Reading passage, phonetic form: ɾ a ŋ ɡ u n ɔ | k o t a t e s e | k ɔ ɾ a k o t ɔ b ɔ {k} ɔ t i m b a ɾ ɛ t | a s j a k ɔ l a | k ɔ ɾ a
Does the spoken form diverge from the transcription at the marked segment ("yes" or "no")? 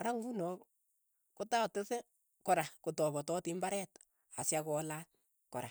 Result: yes